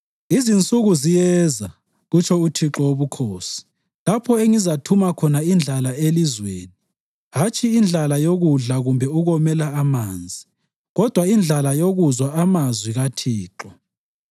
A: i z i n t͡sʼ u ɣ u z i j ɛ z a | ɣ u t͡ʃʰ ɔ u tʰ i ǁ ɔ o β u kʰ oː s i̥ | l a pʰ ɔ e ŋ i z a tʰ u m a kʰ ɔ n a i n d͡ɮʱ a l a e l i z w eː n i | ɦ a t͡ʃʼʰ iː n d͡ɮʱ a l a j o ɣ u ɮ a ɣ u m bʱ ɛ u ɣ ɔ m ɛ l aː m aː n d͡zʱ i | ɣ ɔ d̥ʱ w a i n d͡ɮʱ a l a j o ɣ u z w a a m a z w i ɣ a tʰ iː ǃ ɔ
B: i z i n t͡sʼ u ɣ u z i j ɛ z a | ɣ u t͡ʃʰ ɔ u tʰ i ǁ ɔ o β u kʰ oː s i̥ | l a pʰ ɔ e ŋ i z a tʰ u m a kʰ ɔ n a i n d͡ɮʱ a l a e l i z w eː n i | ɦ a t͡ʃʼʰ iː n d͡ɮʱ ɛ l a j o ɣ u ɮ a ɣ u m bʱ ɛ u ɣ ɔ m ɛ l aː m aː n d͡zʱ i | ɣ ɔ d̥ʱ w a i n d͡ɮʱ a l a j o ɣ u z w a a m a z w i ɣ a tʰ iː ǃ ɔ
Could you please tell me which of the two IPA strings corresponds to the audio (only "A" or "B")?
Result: A